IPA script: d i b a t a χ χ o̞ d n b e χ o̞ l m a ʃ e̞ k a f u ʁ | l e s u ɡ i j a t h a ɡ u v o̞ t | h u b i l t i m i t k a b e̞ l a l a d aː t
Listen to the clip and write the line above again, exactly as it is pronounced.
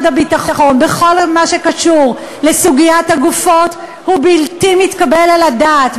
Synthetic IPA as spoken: d a b i t a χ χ o̞ n b e χ o̞ l m a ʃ e̞ k a ʃ u ʁ | l e s u ɡ i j a t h a ɡ u f o̞ t | h u b i l t i m i t k a b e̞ l a l a d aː t